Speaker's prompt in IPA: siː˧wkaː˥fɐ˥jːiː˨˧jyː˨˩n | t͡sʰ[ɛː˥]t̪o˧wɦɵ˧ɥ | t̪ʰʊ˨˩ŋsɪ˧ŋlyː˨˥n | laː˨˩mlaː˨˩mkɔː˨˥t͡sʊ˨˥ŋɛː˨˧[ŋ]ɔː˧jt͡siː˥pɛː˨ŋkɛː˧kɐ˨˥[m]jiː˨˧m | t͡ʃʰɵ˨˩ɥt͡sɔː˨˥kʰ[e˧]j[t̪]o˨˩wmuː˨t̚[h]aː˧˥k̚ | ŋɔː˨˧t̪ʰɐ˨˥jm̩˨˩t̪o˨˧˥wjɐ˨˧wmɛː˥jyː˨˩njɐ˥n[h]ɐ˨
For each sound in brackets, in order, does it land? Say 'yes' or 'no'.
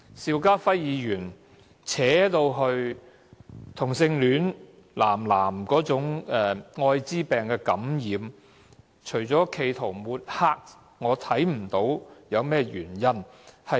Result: no, yes, yes, yes, no, yes, yes

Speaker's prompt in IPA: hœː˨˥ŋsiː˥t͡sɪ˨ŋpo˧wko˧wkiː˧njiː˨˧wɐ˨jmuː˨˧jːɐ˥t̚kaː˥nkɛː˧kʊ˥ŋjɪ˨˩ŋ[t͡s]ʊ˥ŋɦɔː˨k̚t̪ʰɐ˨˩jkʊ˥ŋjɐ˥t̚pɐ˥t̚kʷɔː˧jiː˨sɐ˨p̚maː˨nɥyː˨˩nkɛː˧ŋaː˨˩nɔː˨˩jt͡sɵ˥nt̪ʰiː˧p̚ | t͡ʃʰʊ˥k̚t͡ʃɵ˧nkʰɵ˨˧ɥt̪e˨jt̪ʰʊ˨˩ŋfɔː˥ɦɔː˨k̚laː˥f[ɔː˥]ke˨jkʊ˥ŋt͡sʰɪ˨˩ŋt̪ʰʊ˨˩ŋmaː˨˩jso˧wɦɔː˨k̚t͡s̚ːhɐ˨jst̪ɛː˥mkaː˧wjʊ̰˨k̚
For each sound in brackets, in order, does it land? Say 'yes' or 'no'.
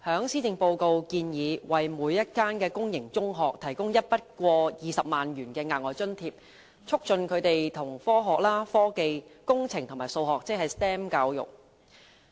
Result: yes, yes

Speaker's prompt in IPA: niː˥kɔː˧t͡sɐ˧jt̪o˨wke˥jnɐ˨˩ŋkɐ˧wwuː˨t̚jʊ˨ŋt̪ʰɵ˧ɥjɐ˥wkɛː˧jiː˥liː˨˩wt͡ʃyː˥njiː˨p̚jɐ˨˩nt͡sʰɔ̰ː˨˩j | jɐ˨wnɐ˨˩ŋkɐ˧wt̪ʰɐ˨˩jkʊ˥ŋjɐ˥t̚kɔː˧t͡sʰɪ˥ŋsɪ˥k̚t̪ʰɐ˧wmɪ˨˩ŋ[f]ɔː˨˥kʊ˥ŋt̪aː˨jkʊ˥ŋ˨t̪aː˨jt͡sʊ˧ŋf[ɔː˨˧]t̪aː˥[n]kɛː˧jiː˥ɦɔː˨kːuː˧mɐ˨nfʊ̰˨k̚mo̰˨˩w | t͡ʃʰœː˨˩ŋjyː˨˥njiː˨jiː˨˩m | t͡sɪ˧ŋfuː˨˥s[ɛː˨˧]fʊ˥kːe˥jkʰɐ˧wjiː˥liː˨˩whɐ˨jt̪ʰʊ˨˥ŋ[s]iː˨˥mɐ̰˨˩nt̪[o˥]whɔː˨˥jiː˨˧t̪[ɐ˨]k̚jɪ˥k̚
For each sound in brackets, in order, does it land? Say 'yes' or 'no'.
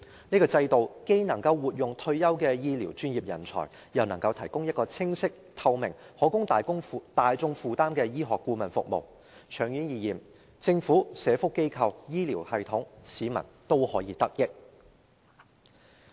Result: no, no, no, yes, yes, yes, no

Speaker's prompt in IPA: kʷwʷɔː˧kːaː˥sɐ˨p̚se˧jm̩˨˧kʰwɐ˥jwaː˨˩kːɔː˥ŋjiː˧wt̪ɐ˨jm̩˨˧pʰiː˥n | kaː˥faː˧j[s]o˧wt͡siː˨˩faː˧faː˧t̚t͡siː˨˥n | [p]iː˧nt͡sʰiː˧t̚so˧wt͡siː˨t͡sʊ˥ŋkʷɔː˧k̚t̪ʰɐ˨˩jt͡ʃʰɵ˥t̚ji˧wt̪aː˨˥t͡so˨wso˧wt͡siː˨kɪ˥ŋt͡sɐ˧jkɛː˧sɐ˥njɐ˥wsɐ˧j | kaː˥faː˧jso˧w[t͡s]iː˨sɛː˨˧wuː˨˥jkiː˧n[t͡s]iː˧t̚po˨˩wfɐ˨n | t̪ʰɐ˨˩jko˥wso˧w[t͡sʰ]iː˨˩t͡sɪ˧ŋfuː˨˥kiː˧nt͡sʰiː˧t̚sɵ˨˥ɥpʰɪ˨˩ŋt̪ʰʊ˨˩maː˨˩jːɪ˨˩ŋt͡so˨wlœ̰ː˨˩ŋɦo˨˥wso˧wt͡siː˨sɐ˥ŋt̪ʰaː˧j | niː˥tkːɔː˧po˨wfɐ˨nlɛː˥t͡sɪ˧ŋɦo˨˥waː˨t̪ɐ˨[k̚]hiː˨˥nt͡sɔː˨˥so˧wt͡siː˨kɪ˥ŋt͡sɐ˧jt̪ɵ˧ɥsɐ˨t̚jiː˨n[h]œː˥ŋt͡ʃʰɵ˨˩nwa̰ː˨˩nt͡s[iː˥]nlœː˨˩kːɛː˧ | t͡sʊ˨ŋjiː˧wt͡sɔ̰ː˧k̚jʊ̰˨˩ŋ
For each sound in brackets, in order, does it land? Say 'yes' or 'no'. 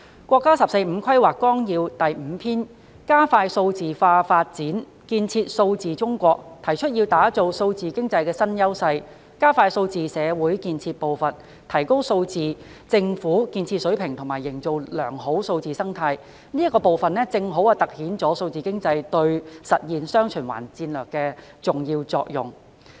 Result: yes, no, yes, no, no, yes, no, no

